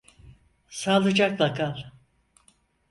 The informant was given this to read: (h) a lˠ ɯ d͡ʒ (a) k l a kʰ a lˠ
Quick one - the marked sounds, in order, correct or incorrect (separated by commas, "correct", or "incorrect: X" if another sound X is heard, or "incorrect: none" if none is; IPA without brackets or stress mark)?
incorrect: s, correct